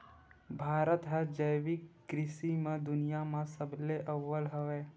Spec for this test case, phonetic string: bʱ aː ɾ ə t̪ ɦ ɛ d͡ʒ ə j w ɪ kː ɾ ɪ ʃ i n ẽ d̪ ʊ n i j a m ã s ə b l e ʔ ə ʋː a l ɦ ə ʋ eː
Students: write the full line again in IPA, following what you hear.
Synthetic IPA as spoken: bʱ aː ɾ ə t̪ ɦ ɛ d͡ʒ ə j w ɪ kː ɾ ɪ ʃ i m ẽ d̪ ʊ n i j a m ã s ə b l e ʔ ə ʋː ə l ɦ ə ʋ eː